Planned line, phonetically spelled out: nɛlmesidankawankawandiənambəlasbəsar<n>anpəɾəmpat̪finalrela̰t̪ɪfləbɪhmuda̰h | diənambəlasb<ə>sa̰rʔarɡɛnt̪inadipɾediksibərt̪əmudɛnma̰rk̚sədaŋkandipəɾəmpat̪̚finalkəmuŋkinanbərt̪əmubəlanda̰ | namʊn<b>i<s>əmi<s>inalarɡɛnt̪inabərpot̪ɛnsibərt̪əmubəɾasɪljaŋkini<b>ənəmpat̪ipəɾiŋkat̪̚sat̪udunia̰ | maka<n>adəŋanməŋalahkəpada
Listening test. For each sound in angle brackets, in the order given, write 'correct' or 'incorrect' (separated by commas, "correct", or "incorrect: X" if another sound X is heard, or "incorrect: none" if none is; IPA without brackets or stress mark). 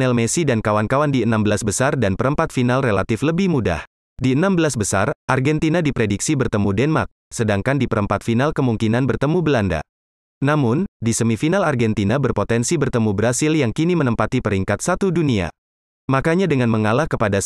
incorrect: d, correct, incorrect: d, correct, incorrect: f, incorrect: m, incorrect: ɲ